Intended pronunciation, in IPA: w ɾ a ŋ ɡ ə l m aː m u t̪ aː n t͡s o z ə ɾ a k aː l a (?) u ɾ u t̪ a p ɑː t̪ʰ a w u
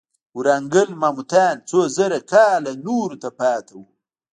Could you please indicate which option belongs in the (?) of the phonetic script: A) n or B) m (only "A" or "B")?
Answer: A